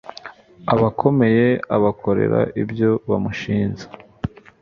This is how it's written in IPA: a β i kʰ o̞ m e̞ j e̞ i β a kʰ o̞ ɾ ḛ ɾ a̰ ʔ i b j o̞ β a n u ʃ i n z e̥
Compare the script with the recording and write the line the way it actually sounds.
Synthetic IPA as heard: a β a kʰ o̞ m e̞ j e̞ a β a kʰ o̞ ɾ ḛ ɾ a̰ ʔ i b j o̞ β a m u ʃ iː n z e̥